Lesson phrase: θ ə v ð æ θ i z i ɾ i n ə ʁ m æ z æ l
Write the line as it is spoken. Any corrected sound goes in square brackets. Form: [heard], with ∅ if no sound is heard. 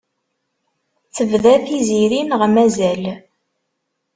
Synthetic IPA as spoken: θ ə v ð æ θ i z i ɾ i n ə ʁ m æ z æ l